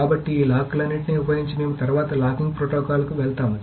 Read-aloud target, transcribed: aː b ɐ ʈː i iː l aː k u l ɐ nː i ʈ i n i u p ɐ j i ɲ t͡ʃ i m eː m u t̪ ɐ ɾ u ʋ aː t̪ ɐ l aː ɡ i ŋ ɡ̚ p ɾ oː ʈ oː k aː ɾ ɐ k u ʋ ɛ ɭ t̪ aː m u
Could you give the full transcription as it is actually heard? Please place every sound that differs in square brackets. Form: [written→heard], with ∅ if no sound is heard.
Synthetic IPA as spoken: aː b ɐ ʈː i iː l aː k u l ɐ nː i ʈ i n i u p ɐ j i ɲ t͡ʃ i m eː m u t̪ ɐ ɾ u ʋ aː t̪ ɐ l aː [ɡ→k] i ŋ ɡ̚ p ɾ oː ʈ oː k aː [ɾ→l] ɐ k u ʋ ɛ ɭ t̪ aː m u